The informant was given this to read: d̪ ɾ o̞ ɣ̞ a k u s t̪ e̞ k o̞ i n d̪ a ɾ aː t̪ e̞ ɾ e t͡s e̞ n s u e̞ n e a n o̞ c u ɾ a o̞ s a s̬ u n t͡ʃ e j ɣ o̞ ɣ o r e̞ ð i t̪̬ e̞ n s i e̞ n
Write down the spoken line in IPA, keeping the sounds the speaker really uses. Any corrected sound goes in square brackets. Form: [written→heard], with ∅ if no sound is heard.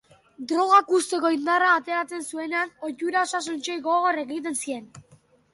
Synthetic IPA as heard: d̪ ɾ o̞ ɣ̞ a k u s t̪ e̞ k o̞ i n d̪ a [ɾ→r] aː t̪ e̞ ɾ [e→a] t͡s e̞ n s u e̞ n e a n o̞ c u ɾ a o̞ s a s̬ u n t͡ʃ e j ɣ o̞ ɣ o r e̞ [ð→ɣ] i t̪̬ e̞ n s i e̞ n